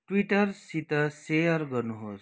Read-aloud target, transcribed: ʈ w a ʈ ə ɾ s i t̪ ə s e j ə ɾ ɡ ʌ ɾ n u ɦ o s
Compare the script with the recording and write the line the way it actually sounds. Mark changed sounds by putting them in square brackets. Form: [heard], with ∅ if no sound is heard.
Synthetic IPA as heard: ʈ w [i] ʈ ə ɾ s i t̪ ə s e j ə ɾ ɡ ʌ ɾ n u ɦ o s